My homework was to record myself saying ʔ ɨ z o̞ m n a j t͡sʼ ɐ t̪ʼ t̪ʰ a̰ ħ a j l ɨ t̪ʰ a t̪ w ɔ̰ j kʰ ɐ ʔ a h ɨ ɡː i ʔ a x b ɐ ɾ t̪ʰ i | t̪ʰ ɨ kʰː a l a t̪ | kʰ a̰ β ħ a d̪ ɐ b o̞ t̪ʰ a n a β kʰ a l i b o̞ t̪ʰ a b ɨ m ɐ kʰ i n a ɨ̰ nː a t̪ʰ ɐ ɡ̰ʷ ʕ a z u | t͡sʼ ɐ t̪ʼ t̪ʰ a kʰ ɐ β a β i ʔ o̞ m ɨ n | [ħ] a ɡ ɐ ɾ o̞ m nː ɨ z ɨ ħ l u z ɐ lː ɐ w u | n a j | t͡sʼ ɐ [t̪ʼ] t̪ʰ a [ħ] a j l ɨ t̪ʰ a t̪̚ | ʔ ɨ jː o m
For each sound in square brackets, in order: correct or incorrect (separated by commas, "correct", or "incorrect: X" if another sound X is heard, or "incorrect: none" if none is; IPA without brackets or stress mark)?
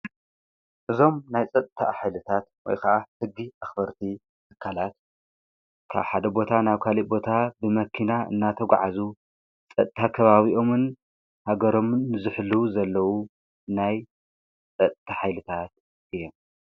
incorrect: h, correct, correct